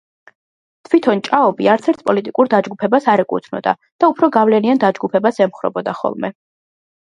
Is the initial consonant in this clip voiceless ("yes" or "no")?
yes